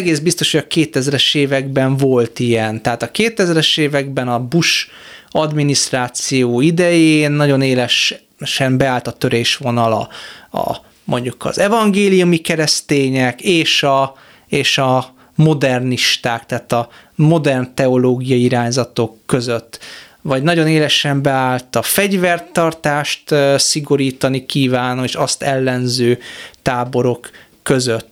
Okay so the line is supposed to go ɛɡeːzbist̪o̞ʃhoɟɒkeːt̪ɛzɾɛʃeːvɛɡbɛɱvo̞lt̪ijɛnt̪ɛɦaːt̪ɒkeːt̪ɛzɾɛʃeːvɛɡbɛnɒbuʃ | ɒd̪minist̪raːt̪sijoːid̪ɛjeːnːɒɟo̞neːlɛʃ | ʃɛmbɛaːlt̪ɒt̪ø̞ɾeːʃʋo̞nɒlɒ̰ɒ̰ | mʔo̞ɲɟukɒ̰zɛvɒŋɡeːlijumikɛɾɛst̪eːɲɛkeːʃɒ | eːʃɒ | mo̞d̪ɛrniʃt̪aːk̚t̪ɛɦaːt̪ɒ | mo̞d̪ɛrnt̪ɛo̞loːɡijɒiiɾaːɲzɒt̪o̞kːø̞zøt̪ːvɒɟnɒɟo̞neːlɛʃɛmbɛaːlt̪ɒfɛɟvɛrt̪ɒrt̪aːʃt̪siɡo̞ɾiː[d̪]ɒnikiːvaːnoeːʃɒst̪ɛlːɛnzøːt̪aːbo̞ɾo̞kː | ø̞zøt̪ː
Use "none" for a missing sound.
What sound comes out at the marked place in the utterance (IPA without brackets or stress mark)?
t̪